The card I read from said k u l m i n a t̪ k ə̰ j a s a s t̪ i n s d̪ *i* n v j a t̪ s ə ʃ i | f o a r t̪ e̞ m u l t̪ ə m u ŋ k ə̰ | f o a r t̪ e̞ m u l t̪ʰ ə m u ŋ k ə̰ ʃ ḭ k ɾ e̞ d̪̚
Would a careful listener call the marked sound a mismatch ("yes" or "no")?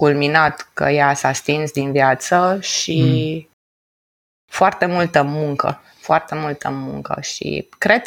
no